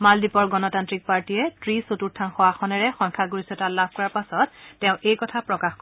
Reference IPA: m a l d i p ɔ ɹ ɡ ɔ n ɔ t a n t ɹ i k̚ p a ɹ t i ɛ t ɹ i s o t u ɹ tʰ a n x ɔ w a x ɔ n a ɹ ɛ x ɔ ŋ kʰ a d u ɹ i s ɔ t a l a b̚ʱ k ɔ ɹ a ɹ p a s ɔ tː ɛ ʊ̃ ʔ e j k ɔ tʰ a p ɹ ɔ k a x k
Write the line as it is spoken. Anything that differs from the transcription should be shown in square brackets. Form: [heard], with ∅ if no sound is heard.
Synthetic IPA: m a l d i p ɔ ɹ ɡ ɔ n ɔ t a n t ɹ i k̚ p a ɹ t i ɛ t ɹ i s o t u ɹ tʰ a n x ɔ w a x ɔ n [ɛ] ɹ ɛ x ɔ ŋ kʰ a [ɡ] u ɹ i s ɔ t a l a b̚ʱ k ɔ ɹ a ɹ p a s ɔ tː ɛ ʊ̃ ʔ e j k ɔ tʰ a p ɹ ɔ k a x k